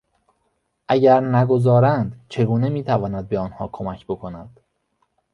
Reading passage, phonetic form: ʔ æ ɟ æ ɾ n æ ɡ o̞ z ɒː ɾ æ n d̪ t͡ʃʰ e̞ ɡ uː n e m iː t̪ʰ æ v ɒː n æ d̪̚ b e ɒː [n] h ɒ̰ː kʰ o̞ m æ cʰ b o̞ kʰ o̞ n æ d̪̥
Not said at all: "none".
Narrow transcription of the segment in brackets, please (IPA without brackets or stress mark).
n